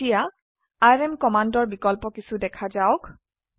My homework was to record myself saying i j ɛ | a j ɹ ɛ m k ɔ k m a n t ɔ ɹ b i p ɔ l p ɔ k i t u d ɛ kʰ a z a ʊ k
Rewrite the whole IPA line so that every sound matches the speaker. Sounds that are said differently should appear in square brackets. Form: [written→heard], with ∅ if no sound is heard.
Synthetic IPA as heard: i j [ɛ→a] | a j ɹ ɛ m k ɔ [k→∅] m a n [t→d] ɔ ɹ b i [p→k] ɔ l p ɔ k i [t→s] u d ɛ kʰ a z a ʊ k